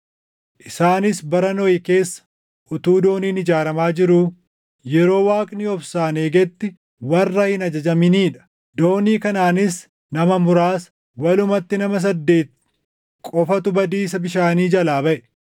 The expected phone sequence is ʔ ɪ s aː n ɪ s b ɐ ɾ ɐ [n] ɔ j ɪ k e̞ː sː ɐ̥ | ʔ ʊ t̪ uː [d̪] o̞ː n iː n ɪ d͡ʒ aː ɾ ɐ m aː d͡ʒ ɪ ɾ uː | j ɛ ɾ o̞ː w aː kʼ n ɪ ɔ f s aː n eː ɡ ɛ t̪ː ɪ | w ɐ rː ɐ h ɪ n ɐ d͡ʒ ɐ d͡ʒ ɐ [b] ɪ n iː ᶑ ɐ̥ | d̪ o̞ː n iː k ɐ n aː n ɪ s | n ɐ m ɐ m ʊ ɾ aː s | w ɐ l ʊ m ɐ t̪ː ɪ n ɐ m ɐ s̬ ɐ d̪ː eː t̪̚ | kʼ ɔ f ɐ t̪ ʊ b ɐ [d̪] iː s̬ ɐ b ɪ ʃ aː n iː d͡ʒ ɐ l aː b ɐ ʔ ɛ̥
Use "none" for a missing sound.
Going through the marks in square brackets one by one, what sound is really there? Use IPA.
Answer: n, d̪, m, d̪

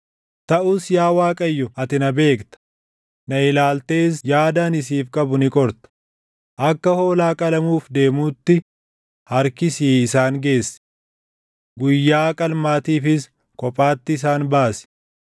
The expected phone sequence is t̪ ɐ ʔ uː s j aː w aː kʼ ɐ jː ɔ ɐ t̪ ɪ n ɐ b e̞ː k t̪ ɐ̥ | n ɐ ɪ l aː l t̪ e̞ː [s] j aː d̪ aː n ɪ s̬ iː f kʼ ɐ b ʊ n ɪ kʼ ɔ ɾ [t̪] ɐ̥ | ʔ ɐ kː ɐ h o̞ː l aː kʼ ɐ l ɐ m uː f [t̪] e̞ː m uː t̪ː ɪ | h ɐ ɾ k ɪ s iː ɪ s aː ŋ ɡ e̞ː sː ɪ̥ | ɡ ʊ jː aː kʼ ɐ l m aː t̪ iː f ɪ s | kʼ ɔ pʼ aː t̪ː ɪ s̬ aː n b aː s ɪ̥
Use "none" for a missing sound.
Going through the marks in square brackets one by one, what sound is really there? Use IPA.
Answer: s, t̪, d̪

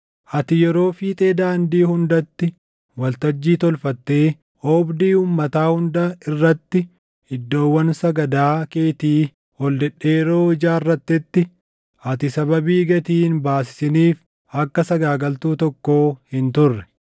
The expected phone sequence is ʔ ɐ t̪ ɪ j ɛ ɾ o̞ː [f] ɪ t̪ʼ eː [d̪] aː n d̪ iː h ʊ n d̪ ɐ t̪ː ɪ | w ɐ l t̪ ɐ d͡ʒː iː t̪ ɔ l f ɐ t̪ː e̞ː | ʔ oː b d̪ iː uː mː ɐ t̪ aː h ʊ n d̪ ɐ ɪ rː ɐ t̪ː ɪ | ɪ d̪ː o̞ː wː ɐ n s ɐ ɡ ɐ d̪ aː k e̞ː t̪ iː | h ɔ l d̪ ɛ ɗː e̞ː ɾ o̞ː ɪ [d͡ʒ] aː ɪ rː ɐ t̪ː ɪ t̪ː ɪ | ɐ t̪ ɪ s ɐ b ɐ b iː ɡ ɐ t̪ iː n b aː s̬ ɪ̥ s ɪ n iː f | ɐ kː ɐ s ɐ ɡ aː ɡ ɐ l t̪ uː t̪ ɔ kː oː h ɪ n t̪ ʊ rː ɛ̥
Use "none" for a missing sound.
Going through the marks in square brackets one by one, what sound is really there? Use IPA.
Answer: f, d̪, d͡ʒ

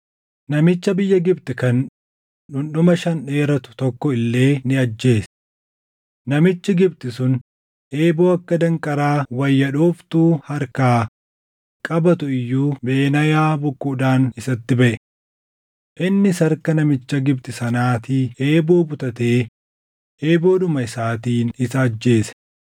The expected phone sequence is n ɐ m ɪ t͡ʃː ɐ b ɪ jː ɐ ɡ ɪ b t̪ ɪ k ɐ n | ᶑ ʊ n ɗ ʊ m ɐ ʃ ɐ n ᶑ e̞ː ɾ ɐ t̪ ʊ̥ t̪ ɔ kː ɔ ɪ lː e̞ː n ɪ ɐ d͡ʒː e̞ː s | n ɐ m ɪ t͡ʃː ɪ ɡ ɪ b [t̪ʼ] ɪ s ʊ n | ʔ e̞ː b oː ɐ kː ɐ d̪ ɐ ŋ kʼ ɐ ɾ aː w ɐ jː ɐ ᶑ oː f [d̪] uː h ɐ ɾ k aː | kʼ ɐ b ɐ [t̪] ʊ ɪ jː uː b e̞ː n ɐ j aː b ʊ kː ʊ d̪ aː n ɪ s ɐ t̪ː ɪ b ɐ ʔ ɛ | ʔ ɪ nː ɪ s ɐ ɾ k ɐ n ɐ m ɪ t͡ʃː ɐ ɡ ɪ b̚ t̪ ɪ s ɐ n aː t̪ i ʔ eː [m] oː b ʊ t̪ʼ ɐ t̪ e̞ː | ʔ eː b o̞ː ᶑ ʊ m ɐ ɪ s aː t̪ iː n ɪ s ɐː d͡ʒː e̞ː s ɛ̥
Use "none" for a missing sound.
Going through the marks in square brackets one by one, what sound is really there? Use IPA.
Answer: t̪, t̪, t̪, b

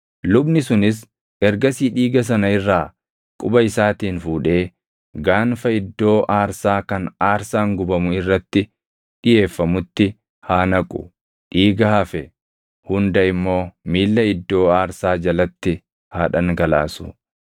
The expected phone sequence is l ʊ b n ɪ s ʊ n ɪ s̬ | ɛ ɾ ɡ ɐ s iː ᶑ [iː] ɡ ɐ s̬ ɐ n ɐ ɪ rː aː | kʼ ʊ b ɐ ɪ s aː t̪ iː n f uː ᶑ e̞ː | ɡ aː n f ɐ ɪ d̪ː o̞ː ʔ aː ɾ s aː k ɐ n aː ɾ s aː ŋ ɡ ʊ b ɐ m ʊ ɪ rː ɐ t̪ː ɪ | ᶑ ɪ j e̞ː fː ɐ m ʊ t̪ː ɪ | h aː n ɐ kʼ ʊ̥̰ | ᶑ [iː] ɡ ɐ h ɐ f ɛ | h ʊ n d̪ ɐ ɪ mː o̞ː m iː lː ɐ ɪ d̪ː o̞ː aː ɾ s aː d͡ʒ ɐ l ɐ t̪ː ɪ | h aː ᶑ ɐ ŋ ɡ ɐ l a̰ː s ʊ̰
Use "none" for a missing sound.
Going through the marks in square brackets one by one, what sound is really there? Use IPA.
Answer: iː, iː

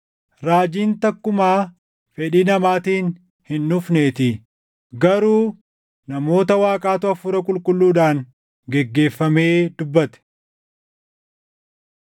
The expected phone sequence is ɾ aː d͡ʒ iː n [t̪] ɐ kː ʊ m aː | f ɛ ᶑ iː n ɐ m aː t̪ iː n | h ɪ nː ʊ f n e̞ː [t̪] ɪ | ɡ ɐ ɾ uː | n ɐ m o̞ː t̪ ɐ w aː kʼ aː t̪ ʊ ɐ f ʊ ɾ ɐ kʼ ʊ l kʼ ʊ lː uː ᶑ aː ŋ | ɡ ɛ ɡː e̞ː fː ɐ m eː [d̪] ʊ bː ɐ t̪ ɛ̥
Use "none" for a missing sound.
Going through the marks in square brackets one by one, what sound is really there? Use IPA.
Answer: t̪, t̪, d̪

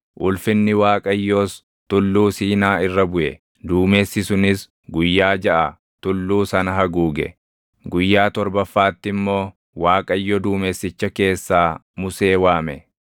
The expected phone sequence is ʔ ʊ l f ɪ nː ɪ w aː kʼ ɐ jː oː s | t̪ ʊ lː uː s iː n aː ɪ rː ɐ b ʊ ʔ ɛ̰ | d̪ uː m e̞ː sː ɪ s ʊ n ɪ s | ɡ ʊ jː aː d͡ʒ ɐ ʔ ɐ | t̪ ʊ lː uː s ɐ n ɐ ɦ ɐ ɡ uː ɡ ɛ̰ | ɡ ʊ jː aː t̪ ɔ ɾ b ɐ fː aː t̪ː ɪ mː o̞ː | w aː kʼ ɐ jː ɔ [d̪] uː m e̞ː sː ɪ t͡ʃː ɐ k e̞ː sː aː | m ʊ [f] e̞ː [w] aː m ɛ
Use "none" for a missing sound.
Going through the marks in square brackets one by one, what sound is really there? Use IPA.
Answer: d̪, s, w

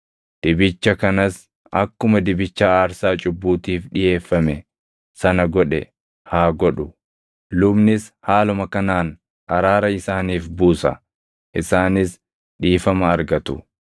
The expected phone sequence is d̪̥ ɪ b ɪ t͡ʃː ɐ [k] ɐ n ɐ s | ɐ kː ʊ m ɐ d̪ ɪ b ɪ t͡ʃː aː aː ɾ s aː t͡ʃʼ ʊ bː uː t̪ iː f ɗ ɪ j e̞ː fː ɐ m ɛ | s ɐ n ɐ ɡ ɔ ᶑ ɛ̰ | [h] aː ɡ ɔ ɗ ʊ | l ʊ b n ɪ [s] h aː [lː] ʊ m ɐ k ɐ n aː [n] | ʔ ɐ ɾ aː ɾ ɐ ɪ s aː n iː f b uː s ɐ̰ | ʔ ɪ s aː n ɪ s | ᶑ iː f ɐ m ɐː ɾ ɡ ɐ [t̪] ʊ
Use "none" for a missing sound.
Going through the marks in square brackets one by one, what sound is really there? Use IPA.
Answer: k, h, s, l, n, t̪

